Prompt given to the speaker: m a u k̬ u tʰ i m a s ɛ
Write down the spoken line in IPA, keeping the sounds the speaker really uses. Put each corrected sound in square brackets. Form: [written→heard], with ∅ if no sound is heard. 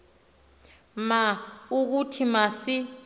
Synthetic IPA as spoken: m a u k̬ u tʰ i m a s [ɛ→i]